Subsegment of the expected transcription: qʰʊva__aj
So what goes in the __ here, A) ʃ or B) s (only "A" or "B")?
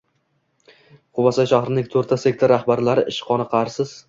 B